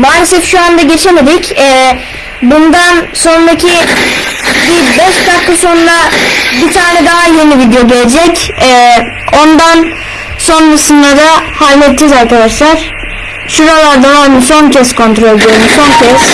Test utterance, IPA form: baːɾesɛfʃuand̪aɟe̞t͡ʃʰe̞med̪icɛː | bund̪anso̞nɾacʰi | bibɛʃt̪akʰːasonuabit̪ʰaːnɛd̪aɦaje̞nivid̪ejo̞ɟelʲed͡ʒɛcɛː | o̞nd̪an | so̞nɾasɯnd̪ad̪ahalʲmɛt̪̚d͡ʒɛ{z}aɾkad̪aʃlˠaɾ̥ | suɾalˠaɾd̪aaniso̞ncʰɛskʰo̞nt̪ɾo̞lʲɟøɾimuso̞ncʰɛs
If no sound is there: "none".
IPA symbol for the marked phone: z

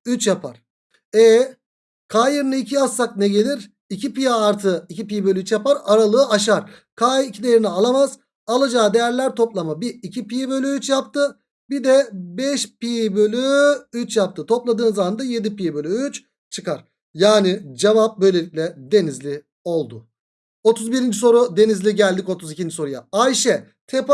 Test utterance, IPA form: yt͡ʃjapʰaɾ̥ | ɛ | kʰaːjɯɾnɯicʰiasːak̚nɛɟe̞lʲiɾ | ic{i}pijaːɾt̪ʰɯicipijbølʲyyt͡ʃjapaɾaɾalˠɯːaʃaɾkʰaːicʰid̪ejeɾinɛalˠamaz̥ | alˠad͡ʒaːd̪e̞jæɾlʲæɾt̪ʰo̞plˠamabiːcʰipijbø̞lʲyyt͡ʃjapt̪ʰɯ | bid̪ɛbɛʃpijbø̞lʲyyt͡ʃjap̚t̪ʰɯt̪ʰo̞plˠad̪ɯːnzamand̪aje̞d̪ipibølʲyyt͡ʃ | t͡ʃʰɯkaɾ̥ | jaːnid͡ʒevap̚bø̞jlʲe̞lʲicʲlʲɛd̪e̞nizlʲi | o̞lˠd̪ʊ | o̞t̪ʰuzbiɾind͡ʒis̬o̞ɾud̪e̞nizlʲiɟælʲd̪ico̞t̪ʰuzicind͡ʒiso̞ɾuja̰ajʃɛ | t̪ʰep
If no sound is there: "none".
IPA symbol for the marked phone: i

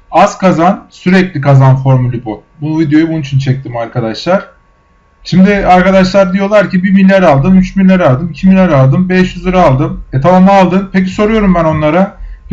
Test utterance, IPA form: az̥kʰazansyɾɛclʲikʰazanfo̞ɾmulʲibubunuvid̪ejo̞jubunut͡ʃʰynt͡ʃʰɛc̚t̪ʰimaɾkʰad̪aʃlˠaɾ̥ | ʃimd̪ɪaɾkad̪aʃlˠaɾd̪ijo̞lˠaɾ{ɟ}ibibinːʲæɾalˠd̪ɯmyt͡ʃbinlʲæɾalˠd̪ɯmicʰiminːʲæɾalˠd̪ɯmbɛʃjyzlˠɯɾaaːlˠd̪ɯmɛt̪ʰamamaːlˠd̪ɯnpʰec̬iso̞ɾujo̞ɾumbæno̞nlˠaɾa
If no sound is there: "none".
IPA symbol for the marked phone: c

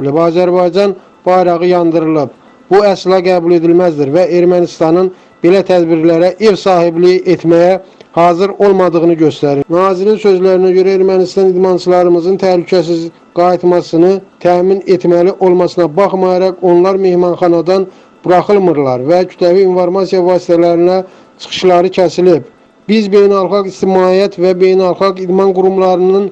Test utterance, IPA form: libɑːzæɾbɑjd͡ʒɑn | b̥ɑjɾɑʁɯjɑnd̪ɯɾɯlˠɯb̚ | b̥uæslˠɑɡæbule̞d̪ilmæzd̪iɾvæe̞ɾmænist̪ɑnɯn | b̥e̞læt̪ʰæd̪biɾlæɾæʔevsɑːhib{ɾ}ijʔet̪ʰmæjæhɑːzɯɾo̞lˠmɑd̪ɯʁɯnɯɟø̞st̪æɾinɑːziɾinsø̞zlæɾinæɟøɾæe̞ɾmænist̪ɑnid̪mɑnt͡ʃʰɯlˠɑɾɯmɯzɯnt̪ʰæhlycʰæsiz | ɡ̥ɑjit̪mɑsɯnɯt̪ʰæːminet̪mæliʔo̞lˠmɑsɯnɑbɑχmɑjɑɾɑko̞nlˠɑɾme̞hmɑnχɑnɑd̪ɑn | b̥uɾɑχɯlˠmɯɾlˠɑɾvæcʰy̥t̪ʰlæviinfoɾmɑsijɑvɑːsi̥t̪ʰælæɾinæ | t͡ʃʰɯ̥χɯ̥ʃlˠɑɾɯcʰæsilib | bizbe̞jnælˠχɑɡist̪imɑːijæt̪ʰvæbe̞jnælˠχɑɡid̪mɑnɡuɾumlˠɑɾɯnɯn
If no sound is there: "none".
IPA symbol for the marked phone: l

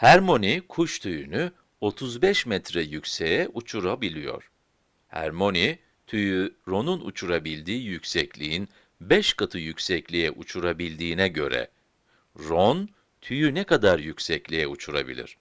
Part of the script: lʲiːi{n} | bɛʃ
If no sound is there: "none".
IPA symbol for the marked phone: n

